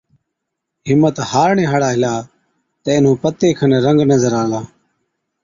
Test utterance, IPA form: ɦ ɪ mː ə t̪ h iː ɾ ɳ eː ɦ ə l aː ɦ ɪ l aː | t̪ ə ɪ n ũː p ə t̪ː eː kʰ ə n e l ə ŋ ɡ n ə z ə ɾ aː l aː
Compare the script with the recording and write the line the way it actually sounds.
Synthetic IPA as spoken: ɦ ɪ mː ə t̪ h aː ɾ ɳ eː ɦ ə ɽ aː ɦ ɪ l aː | t̪ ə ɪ n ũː p ə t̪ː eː kʰ ə n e ɾ ə ŋ ɡ n ə z ə ɾ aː l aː